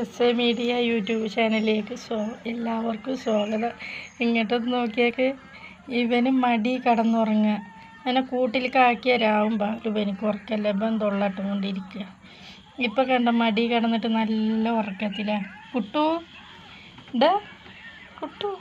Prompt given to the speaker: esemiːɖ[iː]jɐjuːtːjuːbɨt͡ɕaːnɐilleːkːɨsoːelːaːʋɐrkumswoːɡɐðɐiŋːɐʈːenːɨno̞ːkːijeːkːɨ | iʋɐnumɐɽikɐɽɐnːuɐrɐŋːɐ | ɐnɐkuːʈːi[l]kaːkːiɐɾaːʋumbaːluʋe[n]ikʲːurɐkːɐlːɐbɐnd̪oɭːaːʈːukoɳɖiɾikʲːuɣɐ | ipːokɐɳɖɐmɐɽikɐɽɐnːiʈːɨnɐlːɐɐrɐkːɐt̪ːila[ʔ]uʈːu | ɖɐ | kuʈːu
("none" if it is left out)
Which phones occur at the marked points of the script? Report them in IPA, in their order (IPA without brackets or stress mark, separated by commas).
i, l, n, k